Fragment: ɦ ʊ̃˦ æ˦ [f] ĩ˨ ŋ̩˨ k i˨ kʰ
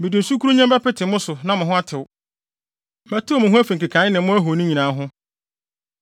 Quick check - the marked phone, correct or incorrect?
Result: correct